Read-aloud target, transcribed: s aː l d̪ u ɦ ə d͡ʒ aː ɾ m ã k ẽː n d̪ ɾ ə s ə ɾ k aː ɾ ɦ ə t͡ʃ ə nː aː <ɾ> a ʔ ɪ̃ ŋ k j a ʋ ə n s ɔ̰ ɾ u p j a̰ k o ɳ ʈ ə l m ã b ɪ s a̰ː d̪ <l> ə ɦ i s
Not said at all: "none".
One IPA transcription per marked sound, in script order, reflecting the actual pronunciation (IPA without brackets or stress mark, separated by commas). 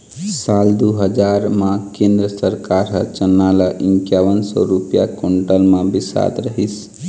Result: l, ɾ